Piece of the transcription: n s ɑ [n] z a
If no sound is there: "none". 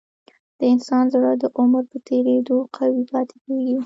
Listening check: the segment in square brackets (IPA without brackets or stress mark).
n